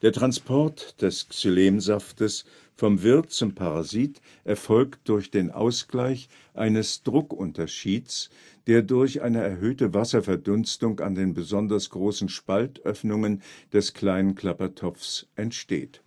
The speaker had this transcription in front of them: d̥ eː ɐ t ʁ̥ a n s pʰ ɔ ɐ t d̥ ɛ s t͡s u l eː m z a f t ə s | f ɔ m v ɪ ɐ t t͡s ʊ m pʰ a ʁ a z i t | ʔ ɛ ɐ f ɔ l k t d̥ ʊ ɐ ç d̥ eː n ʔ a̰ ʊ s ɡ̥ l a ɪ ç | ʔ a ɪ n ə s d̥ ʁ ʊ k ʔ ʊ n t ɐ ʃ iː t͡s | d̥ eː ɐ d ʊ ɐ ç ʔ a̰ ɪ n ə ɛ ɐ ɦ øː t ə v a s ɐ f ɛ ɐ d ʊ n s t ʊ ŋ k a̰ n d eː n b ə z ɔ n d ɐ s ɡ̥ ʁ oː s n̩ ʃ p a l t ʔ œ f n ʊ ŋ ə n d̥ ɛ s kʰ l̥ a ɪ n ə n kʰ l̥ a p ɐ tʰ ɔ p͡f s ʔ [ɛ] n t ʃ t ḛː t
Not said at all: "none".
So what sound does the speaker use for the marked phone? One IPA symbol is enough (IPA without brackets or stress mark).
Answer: ɛ